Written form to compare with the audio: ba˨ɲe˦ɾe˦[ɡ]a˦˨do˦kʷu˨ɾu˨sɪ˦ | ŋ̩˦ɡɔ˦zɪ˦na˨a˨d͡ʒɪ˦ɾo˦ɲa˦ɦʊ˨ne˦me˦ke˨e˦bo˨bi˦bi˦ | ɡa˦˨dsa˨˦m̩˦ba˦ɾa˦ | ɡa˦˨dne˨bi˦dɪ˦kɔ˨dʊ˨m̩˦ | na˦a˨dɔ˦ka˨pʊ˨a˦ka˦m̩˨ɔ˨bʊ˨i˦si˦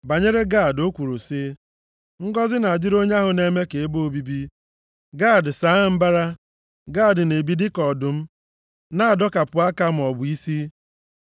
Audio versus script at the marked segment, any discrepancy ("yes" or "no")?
no